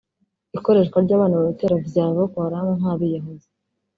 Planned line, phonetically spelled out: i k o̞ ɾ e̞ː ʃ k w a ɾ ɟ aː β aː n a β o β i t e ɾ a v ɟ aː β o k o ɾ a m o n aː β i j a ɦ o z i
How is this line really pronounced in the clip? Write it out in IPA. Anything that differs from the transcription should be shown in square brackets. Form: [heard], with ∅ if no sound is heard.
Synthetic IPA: i k o̞ ɾ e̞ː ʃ k w a ɾ ɟ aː β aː n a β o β i t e ɾ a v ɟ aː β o k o ɾ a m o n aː β i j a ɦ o z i